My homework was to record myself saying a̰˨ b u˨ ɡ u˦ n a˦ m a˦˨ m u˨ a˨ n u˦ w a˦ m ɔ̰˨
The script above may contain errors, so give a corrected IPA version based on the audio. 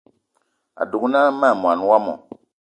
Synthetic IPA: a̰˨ d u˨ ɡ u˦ n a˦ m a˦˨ m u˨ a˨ n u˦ w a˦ m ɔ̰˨